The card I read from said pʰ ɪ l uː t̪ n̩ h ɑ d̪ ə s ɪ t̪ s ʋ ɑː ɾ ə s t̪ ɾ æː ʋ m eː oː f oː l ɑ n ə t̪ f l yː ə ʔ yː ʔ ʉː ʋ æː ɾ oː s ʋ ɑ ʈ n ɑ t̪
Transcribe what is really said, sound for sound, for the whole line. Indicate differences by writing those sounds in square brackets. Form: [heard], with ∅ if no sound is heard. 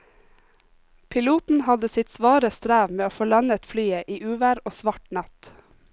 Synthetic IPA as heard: pʰ ɪ l uː t̪ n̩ h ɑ d̪ ə s ɪ t̪ s ʋ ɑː ɾ ə s t̪ ɾ æː ʋ m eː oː f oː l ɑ n ə t̪ f l yː ə ʔ [iː] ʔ ʉː ʋ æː ɾ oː s ʋ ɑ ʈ n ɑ t̪

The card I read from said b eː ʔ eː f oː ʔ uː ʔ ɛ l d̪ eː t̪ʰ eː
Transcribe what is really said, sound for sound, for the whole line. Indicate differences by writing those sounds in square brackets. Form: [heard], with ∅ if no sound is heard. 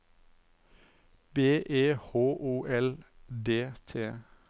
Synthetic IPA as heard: b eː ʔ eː [h] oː ʔ uː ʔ ɛ l d̪ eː t̪ʰ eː

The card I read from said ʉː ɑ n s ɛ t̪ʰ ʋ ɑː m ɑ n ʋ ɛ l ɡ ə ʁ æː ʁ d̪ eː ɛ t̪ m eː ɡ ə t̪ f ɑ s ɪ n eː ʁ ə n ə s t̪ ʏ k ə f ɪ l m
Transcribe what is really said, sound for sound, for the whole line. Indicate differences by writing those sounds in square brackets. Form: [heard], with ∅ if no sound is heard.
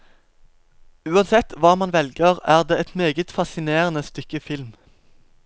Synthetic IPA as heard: ʉː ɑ n s ɛ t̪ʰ ʋ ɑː m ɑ n ʋ ɛ l ɡ ə ʁ æː ʁ d̪ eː ɛ t̪ m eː ɡ ə t̪ f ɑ s ɪ n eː ʁ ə n ə s t̪ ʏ k ə f ɪ l m

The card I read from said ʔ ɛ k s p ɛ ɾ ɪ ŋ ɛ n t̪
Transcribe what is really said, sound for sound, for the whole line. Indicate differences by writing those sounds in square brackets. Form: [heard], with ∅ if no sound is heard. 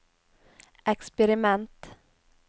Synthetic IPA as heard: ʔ ɛ k s p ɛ ɾ ɪ [m] ɛ n t̪

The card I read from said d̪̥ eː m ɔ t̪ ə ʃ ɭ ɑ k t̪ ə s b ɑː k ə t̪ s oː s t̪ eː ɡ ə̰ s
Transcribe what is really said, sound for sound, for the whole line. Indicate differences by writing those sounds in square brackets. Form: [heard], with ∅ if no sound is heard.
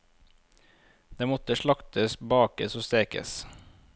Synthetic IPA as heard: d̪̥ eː m ɔ t̪ ə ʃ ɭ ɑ k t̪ ə s b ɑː k ə [∅] s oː s t̪ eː [k] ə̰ s

